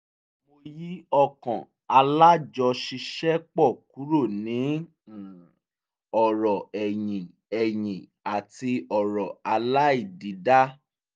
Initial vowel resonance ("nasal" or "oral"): oral